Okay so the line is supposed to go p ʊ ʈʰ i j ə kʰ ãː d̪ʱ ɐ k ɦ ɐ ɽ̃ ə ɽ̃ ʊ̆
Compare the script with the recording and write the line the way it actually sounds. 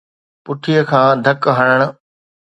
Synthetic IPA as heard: p ʊ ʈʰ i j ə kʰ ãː d̪ʱ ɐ k ɦ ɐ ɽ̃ ə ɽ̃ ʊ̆